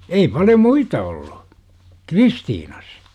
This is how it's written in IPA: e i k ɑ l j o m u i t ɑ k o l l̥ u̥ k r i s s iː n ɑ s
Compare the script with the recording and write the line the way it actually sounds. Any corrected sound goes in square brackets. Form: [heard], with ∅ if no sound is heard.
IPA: e i [p] ɑ l j o m u i t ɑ [∅] o l l̥ u̥ k r i s [t] iː n ɑ s